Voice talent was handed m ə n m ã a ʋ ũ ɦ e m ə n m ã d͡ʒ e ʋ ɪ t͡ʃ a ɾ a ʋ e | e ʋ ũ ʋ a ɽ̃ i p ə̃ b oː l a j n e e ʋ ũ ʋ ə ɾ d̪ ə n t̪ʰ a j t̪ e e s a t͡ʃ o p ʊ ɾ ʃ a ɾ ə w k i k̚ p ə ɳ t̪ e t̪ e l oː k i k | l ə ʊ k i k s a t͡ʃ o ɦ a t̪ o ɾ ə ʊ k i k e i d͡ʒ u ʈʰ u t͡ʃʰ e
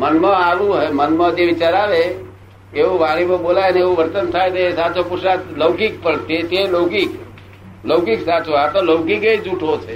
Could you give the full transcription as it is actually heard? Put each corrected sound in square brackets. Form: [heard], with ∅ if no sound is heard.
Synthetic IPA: m ə n m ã a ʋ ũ ɦ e m ə n m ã d͡ʒ e ʋ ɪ t͡ʃ a ɾ a ʋ e | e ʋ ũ ʋ a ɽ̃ i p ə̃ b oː l a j n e e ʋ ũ ʋ ə ɾ [t̪] ə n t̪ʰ a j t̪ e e s a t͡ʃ o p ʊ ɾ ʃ a [l] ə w k i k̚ p ə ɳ t̪ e t̪ e l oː k i k | l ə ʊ k i k s a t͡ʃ o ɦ a t̪ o [l] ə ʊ k i k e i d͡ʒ u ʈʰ [o] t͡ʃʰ e